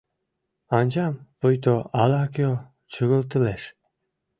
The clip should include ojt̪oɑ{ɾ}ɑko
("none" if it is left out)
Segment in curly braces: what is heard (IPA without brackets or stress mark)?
l